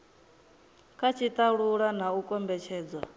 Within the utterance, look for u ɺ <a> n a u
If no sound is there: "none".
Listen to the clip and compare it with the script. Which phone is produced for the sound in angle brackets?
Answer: a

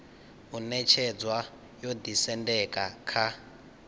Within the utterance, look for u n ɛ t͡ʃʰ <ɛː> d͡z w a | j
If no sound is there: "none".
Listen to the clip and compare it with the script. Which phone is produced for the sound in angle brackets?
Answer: ɛ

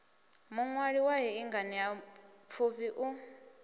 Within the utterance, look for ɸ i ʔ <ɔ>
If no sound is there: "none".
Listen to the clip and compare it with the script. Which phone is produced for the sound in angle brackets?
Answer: u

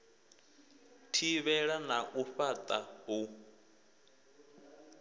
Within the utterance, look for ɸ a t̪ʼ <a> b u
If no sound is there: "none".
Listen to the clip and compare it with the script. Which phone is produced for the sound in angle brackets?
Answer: a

